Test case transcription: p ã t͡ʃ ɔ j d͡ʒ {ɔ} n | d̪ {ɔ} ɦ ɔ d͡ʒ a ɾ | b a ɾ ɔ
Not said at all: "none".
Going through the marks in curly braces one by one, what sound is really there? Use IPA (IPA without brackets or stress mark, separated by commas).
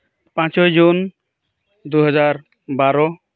u, u